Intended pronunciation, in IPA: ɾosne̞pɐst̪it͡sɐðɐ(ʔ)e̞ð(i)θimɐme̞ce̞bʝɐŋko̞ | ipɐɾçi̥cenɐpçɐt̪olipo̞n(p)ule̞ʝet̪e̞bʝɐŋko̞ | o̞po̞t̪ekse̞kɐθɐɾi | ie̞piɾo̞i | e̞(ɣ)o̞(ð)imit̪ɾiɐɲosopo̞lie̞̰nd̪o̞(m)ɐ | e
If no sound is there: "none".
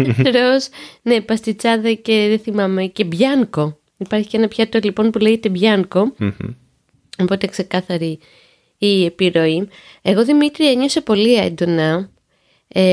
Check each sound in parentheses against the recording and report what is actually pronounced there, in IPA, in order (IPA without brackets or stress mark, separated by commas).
c, e, p, ɣ, ð, n